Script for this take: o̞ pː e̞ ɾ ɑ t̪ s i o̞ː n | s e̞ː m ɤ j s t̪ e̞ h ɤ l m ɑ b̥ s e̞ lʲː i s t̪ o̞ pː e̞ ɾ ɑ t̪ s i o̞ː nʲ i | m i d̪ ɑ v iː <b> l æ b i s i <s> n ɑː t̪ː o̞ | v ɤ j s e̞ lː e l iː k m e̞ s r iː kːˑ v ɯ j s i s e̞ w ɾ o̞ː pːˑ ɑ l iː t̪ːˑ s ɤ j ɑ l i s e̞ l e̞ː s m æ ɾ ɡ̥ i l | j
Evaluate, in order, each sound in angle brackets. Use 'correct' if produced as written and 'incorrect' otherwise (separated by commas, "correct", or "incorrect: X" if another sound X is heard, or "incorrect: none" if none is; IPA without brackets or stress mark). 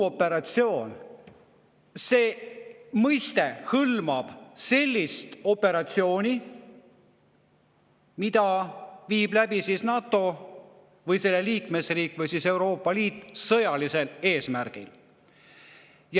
correct, correct